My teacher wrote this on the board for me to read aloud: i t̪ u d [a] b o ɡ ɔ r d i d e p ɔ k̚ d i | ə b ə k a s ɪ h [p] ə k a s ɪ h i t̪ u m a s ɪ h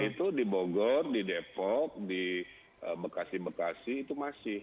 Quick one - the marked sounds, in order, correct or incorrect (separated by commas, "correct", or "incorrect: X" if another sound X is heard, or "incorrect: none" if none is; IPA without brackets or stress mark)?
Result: incorrect: i, incorrect: b